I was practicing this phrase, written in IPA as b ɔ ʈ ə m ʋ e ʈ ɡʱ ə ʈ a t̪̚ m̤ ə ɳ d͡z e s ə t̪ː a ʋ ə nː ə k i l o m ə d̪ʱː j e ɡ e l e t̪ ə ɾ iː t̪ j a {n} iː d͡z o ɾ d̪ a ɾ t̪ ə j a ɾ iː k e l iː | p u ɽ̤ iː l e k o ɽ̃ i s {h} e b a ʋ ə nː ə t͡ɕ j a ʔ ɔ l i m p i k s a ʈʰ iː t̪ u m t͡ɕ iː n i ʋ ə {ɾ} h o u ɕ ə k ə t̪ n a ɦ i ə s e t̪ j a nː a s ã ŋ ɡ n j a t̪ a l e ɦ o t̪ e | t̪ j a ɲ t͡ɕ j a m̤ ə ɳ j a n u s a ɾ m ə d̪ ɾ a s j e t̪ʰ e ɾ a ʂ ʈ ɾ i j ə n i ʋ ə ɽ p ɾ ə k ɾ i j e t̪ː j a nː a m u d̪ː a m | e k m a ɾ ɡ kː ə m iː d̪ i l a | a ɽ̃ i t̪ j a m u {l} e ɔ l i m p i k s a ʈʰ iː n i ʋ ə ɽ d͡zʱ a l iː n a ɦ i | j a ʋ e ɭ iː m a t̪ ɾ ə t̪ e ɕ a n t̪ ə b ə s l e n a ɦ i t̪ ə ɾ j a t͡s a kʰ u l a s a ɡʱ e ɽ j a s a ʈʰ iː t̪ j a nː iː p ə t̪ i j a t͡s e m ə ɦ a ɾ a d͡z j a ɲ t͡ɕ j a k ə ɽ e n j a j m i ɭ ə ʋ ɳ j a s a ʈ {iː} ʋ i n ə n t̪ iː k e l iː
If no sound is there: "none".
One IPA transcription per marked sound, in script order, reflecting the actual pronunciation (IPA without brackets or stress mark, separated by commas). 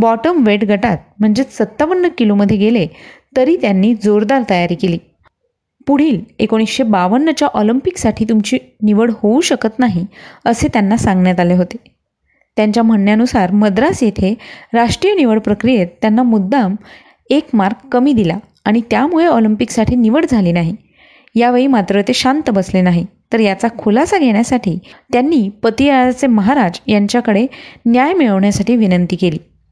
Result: nː, ɕ, ɽ, ɭ, iː